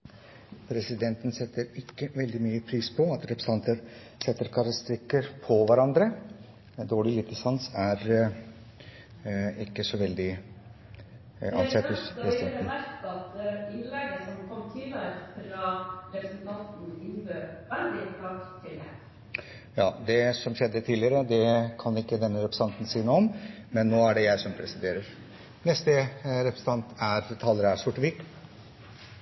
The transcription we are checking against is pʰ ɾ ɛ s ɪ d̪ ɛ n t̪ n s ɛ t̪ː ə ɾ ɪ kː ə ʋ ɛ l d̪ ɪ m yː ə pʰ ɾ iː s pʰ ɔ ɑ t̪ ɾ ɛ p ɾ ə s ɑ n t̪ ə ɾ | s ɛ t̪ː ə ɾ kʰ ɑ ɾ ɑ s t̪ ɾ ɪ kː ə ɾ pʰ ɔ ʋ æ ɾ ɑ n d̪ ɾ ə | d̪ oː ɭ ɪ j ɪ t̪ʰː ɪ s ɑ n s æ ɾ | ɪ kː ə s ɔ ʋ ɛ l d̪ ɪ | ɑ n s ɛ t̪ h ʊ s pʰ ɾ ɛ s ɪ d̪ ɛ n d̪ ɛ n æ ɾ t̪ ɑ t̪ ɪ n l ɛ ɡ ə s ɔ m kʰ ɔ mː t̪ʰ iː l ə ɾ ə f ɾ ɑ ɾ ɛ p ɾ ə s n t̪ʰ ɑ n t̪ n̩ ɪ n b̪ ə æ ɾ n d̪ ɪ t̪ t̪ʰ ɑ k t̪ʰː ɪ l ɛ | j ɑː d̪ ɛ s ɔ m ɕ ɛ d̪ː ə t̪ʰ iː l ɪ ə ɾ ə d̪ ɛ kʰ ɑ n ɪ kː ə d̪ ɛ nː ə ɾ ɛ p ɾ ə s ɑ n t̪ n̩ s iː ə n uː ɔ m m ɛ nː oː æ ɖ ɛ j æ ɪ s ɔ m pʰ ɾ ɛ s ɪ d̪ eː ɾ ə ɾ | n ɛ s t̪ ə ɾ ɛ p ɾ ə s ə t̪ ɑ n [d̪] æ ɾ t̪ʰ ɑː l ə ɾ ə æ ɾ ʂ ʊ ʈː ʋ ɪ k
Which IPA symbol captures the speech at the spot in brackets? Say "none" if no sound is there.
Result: t̪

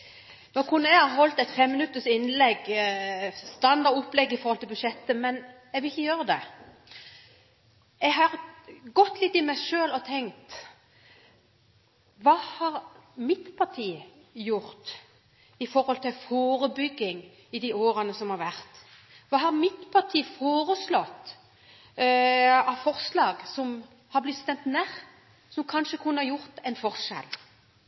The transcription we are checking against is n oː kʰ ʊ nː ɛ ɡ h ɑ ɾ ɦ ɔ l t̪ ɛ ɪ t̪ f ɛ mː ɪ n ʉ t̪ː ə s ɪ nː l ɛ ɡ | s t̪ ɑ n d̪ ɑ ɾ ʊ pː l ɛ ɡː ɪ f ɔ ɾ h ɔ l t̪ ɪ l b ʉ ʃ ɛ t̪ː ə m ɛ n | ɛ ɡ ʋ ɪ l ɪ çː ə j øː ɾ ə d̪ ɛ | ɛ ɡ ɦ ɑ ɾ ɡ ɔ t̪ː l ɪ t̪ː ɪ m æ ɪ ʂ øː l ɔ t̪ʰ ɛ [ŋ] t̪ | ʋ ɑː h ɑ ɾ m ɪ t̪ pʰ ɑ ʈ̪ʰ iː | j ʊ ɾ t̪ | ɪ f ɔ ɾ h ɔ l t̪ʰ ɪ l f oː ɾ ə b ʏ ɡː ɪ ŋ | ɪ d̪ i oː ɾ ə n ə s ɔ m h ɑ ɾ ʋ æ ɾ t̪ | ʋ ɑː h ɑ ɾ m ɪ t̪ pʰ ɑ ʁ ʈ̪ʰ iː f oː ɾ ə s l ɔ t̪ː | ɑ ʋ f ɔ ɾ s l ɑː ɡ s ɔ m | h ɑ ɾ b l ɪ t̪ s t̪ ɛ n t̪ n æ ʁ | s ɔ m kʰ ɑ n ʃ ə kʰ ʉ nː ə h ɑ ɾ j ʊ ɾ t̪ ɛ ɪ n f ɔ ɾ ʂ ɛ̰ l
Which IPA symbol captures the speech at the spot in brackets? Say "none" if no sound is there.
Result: ŋ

